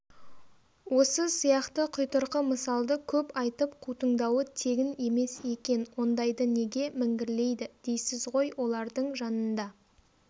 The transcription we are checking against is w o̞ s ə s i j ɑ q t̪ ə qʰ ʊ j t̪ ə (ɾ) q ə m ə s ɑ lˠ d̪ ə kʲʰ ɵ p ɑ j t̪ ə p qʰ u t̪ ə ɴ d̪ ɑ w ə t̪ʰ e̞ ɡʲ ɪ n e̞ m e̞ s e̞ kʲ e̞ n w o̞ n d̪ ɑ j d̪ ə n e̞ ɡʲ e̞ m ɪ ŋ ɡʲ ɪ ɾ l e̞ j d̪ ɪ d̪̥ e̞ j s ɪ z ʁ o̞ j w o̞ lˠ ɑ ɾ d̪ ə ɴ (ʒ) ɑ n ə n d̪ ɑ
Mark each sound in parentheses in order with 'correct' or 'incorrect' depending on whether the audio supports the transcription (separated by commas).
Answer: correct, correct